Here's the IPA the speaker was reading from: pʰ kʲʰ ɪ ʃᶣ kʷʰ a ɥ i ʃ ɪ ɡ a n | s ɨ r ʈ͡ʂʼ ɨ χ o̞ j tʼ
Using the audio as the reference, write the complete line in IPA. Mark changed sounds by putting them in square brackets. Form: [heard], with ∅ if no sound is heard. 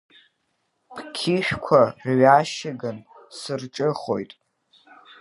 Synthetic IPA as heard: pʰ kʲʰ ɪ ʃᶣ kʷʰ a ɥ [a] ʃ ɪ ɡ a n | s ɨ r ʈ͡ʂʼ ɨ χ o̞ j tʼ